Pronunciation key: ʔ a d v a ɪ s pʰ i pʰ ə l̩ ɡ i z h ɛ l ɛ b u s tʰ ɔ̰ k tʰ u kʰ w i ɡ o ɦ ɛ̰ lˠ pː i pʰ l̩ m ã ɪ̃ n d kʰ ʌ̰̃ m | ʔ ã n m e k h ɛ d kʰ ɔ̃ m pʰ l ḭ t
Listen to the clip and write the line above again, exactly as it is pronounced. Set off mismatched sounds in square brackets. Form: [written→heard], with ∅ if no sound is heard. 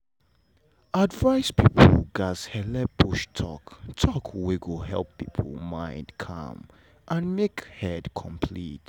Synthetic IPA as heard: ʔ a d v a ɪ s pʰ i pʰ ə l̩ ɡ [i→a] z h ɛ l ɛ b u [s→ʃ] tʰ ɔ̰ k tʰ [u→ɔ] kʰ w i ɡ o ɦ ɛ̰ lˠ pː i pʰ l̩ m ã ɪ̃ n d kʰ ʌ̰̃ m | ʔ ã n m e k h ɛ d kʰ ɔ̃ m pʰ l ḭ t